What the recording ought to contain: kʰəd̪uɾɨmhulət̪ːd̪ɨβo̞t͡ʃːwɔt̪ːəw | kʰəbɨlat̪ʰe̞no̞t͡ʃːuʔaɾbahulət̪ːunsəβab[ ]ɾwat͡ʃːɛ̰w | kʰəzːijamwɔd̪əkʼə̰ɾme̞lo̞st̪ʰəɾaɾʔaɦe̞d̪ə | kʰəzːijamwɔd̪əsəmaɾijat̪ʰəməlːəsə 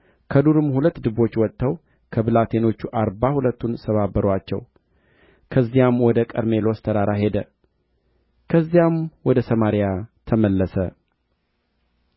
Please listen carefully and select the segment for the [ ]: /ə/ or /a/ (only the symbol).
ə